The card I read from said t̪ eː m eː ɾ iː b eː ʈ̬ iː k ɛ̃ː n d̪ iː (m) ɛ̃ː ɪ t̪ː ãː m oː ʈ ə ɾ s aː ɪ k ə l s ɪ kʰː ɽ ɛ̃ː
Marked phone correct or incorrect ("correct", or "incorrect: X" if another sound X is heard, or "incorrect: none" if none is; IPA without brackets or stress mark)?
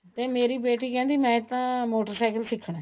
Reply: correct